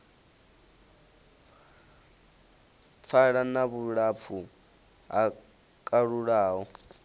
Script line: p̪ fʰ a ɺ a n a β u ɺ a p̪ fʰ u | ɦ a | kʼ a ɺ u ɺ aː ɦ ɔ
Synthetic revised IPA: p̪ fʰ a ɺ a n a β u ɺ a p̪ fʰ u | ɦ a | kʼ a ɺ u ɺ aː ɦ ɔ